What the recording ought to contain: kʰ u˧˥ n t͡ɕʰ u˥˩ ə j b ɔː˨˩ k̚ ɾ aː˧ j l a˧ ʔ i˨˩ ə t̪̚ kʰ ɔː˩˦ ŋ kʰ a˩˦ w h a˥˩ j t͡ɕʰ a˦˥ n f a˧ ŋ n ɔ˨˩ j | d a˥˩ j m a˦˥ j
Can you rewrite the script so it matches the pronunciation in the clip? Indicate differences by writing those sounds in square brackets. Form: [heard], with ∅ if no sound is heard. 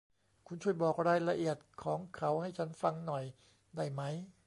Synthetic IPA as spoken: kʰ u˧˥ n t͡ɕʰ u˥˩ ə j b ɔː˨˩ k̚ ɾ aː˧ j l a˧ ʔ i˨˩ ə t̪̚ kʰ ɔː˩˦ ŋ kʰ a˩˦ w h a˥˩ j t͡ɕʰ a˦˥ n f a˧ ŋ n ɔ˨˩ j | d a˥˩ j m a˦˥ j